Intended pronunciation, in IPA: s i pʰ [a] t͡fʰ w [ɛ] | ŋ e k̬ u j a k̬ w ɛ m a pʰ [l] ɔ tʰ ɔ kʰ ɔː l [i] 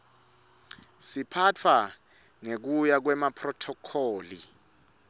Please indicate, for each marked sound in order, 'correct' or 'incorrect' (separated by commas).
correct, incorrect, incorrect, correct